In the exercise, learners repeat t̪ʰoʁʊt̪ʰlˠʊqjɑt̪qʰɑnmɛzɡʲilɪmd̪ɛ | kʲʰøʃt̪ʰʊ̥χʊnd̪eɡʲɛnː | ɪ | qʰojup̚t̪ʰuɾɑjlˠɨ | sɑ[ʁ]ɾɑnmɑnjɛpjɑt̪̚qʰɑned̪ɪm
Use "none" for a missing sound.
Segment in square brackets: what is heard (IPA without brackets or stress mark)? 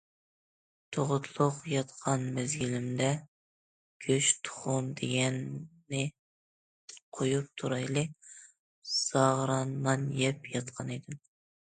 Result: ʁ